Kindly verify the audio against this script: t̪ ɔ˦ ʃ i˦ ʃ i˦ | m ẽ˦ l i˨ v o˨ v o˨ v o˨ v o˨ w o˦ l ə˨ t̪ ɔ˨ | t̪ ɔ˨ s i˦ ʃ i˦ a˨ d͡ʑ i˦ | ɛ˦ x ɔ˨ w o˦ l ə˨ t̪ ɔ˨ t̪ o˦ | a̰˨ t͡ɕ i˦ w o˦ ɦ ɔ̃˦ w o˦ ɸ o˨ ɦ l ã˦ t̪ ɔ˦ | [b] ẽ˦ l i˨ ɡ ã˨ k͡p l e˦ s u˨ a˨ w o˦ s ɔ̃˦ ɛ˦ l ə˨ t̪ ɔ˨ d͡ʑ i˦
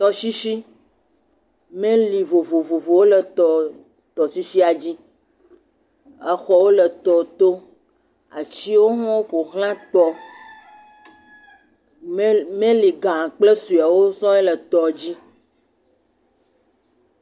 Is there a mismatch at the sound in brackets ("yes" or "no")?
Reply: yes